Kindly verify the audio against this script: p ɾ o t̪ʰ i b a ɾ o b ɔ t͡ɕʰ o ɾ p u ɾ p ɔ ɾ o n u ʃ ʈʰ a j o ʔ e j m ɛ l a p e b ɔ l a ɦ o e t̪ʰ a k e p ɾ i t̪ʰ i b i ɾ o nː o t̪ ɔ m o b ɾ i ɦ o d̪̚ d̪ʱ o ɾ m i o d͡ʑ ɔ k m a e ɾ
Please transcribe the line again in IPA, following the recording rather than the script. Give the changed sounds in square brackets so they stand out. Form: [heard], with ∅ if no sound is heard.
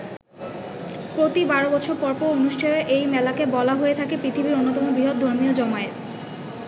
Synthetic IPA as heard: p ɾ o [t̪] i b a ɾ o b ɔ t͡ɕʰ o ɾ p [ɔ] ɾ p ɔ ɾ o n u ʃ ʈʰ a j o ʔ e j m ɛ l a [k] e b ɔ l a ɦ o e t̪ʰ a k e p ɾ i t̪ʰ i b i ɾ o nː o t̪ ɔ m o b ɾ i ɦ o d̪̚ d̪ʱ o ɾ m i o d͡ʑ ɔ [∅] m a e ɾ